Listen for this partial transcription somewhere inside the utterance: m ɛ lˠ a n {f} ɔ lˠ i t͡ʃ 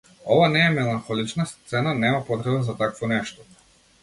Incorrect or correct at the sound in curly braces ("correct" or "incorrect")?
incorrect